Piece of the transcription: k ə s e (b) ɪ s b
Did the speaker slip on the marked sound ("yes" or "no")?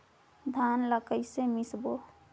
yes